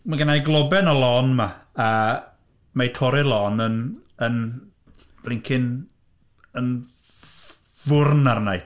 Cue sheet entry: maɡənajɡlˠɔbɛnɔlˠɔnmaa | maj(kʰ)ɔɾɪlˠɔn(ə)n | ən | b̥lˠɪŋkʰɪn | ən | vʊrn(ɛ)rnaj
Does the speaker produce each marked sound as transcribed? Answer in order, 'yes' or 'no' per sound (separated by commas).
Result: no, yes, no